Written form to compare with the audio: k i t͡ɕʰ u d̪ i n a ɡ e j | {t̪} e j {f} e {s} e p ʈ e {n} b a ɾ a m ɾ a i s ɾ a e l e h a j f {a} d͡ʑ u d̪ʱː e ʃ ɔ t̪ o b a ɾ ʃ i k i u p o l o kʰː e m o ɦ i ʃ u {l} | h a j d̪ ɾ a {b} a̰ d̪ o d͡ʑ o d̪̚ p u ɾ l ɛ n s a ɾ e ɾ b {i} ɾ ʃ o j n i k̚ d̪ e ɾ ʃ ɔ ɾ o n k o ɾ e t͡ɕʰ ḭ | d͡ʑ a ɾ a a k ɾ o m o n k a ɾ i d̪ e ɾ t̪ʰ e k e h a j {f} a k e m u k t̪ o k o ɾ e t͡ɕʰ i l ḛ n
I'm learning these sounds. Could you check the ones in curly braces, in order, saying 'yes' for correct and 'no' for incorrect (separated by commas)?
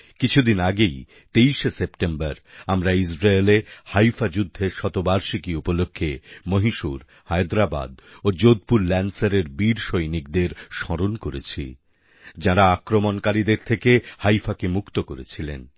yes, no, yes, no, yes, no, yes, yes, yes